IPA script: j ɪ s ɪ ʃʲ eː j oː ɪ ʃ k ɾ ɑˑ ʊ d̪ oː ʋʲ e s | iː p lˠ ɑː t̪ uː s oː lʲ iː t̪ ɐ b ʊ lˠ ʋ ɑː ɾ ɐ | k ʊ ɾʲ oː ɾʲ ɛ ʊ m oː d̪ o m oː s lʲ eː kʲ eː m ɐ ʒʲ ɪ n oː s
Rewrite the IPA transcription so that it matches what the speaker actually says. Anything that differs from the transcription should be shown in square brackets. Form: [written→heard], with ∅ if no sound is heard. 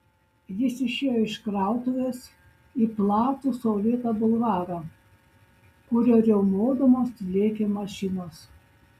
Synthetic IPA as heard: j ɪ s ɪ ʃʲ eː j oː ɪ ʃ k ɾ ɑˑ ʊ [d̪→t̪] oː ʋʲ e s | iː p lˠ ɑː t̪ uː s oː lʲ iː t̪ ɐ b ʊ lˠ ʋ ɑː ɾ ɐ | k ʊ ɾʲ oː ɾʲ ɛ ʊ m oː d̪ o m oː s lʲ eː kʲ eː m ɐ [ʒʲ→ʃʲ] ɪ n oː s